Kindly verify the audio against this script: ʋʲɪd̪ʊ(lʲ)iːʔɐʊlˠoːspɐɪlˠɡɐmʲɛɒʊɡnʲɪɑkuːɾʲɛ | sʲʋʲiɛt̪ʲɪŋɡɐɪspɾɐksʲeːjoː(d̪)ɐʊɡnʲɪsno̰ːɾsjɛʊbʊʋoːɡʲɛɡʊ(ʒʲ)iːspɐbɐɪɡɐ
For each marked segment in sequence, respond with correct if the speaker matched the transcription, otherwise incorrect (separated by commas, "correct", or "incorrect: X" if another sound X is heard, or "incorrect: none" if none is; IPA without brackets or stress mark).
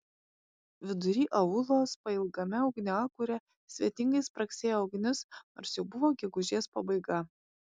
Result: incorrect: ɾʲ, incorrect: none, correct